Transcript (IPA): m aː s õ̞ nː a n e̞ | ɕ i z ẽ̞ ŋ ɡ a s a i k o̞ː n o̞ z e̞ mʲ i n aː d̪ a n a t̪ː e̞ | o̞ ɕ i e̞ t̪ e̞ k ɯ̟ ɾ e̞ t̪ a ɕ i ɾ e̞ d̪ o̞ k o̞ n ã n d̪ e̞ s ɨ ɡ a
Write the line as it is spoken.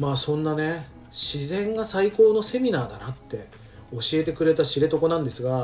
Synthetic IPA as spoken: m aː s õ̞ nː a n e̞ | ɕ i z ẽ̞ ŋ ɡ a s a i k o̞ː n o̞ s e̞ mʲ i n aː d̪ a n a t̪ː e̞ | o̞ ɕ i e̞ t̪ e̞ k ɯ̟ ɾ e̞ t̪ a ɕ i ɾ e̞ t̪ o̞ k o̞ n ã n d̪ e̞ s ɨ ɡ a